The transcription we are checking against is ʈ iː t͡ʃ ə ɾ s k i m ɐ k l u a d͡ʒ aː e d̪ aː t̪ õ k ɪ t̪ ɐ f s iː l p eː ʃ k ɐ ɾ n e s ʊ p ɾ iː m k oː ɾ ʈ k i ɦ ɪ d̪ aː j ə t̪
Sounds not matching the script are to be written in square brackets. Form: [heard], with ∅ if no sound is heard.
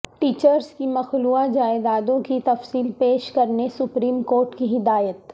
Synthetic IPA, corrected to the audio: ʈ iː t͡ʃ ə ɾ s k i m ɐ [x] l u a d͡ʒ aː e d̪ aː [d̪] õ k [i] t̪ ɐ f s iː l p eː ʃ k ɐ ɾ n e s ʊ p ɾ iː m k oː ɾ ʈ k i ɦ ɪ d̪ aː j ə t̪

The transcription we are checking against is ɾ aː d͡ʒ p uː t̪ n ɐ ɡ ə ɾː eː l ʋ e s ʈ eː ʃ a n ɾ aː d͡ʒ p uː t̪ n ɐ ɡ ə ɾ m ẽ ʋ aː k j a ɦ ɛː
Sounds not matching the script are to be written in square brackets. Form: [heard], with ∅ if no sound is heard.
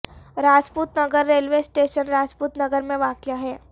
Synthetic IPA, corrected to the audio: ɾ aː d͡ʒ p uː t̪ n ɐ ɡ ə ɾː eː l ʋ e s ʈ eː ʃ [ə] n ɾ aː d͡ʒ p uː t̪ n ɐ ɡ ə ɾ m ẽ ʋ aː k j a ɦ ɛː

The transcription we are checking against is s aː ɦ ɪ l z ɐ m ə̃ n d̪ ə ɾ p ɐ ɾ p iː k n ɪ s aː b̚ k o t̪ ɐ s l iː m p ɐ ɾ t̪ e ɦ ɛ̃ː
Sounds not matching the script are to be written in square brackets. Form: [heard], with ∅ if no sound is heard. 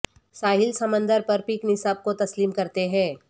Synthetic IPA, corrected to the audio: s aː ɦ ɪ l [s] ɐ m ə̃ n d̪ ə ɾ p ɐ ɾ p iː k n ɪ s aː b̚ k o t̪ ɐ s l iː m [k] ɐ ɾ t̪ e ɦ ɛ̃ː

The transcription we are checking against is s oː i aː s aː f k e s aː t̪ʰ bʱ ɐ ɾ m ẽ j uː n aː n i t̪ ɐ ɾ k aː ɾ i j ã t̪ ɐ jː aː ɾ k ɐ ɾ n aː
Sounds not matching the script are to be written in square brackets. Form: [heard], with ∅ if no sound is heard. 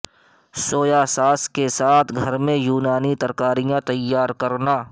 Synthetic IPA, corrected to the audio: s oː [j] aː s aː [s] k e s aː t̪ʰ [ɡʱ] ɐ ɾ m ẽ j uː n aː n i t̪ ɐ ɾ k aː ɾ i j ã t̪ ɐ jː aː ɾ k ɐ ɾ n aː

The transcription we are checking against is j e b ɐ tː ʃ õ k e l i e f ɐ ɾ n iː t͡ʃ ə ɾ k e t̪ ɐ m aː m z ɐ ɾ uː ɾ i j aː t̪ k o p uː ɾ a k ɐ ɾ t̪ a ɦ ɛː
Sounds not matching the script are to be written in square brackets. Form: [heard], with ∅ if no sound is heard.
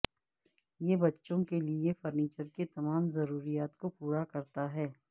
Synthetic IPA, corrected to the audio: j e b ɐ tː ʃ õ k e l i e f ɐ ɾ n iː t͡ʃ ə ɾ k e t̪ ɐ m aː m z ɐ ɾ uː ɾ i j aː t̪ k o p uː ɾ a k ɐ ɾ t̪ a ɦ ɛː

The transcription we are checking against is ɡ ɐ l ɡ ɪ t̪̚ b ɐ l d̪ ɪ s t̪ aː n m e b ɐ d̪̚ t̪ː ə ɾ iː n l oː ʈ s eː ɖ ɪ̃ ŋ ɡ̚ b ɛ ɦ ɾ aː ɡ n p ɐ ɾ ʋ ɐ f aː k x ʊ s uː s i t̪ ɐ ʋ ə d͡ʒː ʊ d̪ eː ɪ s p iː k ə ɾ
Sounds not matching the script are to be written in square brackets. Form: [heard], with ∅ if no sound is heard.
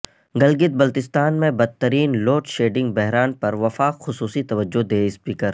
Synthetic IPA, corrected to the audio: ɡ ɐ l ɡ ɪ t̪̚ b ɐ l [t̪] ɪ s t̪ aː n m [ẽ] b ɐ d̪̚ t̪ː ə ɾ iː n l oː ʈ [ʃ] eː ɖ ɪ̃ ŋ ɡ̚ b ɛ ɦ ɾ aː [∅] n p ɐ ɾ ʋ ɐ f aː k x ʊ s uː s i t̪ ɐ ʋ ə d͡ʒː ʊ d̪ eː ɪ s p iː k ə ɾ

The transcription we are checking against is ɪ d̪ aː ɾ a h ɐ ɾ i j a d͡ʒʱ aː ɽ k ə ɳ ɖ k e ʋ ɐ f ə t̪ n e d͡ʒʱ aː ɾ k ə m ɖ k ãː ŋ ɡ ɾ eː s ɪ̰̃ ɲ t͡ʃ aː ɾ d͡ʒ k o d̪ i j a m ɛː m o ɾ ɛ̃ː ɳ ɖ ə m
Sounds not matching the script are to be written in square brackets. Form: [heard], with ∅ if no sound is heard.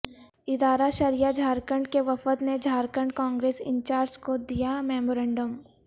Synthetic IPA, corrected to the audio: ɪ d̪ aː ɾ a [ʃ] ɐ ɾ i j a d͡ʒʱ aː [ɾ] k ə ɳ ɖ k e ʋ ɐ f ə t̪ n e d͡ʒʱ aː ɾ k ə [ɳ] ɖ k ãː ŋ ɡ ɾ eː s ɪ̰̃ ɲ t͡ʃ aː ɾ d͡ʒ k o d̪ i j a m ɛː m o ɾ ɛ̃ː ɳ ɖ ə m

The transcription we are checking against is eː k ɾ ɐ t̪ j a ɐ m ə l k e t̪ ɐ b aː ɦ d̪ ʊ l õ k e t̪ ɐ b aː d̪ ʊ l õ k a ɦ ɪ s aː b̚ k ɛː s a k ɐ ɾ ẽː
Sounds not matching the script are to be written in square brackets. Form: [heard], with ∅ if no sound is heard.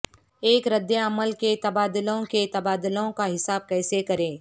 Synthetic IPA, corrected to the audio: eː k ɾ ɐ [d̪] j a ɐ m ə l k e t̪ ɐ b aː [∅] d̪ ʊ l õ k e t̪ ɐ b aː d̪ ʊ l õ k a ɦ ɪ s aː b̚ k ɛː s [e] k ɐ ɾ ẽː

